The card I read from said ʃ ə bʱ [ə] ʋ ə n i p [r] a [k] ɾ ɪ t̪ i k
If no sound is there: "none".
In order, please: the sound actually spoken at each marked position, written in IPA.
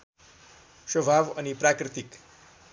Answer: a, ɾ, k

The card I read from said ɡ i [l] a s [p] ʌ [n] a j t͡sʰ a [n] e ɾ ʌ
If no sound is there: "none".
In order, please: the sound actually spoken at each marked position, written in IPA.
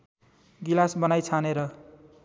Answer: l, b, n, n

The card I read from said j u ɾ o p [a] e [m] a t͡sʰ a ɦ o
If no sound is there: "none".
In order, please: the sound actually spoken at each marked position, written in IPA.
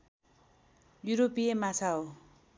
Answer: i, m

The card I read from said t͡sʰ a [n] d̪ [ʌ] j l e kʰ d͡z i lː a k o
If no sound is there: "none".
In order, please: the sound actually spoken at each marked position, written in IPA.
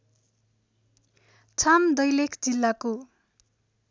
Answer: m, ʌ

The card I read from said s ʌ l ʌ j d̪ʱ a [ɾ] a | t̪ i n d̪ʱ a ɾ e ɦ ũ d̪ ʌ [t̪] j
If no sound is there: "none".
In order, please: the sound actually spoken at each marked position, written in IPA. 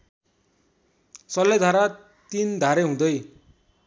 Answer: ɾ, none

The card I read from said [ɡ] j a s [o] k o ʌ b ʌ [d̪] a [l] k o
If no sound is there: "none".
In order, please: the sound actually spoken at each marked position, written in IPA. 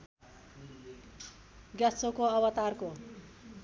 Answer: ɡ, o, t̪, r

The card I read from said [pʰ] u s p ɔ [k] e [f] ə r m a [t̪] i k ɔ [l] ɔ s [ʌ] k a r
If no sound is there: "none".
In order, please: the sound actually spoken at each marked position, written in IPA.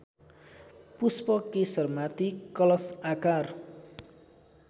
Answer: p, k, s, t̪, l, a

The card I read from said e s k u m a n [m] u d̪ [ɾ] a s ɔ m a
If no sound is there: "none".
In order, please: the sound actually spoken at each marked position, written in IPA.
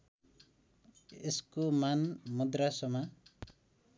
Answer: m, ɾ

